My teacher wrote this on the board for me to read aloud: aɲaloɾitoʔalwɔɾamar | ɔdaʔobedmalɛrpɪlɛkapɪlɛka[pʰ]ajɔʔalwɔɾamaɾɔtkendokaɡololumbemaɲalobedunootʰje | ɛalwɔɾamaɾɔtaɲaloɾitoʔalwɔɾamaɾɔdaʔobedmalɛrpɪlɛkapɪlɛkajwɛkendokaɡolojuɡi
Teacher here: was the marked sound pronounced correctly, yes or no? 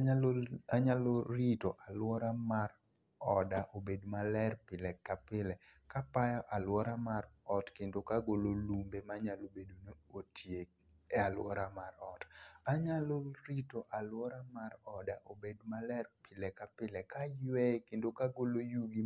no